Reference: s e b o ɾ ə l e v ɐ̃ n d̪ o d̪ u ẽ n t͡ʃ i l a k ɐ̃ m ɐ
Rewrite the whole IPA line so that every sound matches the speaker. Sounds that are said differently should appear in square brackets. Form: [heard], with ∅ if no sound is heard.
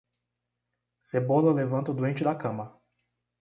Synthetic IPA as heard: s e b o [l] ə l e v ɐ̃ n [t̪] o d̪ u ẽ n t͡ʃ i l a k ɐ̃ m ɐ